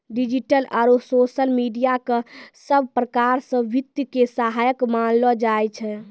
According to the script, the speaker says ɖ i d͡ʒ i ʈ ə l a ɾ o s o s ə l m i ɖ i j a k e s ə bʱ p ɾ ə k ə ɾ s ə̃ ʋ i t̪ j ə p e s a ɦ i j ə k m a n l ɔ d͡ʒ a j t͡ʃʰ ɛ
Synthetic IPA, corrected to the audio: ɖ i d͡ʒ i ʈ ə l a ɾ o s o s ə l m i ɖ i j a k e s ə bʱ p ɾ ə k a ɾ s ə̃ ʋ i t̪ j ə k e s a ɦ a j ə k m a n l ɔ d͡ʒ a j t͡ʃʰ ɛ